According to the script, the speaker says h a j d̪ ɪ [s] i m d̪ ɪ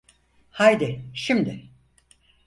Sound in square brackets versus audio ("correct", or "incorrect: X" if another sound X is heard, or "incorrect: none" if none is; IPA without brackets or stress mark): incorrect: ʃ